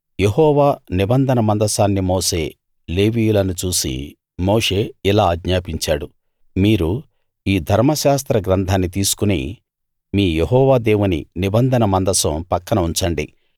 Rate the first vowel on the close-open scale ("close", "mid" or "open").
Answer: mid